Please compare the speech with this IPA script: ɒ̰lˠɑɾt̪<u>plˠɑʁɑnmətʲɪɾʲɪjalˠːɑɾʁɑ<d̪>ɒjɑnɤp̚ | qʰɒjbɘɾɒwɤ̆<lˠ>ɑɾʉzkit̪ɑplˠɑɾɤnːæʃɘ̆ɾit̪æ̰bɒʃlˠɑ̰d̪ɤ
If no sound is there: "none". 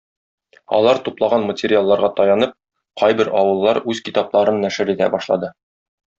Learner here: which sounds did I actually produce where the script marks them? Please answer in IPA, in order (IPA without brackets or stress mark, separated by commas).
u, t̪, lˠː